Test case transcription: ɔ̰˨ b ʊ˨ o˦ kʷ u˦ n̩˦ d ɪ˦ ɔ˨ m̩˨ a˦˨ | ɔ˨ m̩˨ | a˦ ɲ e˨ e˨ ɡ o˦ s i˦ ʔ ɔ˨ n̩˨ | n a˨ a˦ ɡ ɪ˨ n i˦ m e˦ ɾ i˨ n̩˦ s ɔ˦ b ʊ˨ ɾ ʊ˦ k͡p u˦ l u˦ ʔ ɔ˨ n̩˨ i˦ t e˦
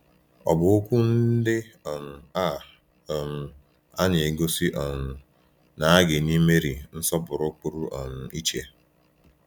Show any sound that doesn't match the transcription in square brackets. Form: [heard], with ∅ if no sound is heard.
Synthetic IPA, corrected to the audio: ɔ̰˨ b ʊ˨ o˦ kʷ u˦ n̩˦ d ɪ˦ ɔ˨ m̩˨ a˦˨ | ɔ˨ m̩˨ | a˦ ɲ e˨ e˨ ɡ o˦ s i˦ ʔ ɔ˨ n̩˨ | n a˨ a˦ ɡ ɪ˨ n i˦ m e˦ ɾ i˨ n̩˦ s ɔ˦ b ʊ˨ ɾ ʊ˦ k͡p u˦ [ɾ] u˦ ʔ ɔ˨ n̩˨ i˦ [t͡ʃ] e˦

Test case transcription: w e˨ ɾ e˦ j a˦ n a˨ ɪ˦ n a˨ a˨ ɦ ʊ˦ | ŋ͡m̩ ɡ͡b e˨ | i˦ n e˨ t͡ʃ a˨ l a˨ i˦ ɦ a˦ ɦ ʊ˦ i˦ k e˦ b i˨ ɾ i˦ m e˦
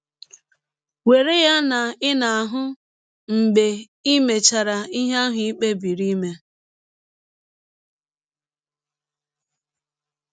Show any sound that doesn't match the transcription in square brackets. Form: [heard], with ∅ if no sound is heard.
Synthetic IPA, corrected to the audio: w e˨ ɾ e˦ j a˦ n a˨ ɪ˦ n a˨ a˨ ɦ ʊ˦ | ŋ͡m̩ ɡ͡b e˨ | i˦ [m] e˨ t͡ʃ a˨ [ɾ] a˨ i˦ ɦ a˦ ɦ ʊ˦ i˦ [k͡p] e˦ b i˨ ɾ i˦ m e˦

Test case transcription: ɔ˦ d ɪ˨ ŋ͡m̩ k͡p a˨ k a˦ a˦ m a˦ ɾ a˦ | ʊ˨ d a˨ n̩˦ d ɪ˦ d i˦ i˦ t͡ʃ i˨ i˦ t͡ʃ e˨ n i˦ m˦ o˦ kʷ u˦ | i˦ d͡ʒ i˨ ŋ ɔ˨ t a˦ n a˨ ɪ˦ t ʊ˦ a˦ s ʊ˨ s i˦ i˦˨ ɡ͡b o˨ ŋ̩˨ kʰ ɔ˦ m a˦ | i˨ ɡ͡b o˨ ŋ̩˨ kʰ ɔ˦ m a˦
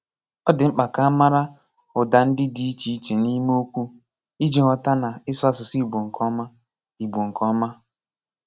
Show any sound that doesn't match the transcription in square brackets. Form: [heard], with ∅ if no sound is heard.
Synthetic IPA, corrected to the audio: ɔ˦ d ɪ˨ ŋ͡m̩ k͡p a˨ k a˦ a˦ m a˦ ɾ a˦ | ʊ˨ d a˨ n̩˦ d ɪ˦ d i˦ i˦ t͡ʃ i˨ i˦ t͡ʃ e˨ n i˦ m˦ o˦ kʷ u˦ | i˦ d͡ʒ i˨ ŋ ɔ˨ t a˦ n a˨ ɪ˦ [s] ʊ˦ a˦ s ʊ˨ s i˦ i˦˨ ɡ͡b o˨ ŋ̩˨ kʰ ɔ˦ m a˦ | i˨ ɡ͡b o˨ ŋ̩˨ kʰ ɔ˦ m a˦

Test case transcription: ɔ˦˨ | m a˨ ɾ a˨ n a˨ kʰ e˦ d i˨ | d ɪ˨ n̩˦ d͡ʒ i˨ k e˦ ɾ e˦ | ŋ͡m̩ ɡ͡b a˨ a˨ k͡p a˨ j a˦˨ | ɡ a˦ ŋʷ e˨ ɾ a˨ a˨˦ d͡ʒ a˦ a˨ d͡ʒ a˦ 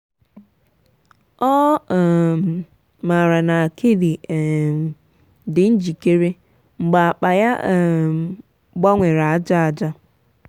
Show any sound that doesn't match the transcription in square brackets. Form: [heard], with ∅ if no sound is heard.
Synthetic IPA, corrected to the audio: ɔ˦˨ | m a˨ ɾ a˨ n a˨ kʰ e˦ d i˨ | d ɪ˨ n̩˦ d͡ʒ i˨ k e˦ ɾ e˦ | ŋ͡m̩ ɡ͡b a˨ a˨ k͡p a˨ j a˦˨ | [ɡ͡b] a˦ ŋʷ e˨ ɾ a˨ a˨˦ d͡ʒ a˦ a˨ d͡ʒ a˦

